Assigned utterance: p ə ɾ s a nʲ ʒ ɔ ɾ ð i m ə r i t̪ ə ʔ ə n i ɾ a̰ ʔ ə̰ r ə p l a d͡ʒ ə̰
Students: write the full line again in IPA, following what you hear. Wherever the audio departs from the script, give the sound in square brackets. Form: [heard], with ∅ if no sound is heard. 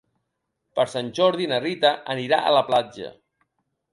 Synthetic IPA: p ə ɾ s a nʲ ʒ ɔ ɾ ð i [n] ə r i t̪ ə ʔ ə n i ɾ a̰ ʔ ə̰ [l] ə p l a d͡ʒ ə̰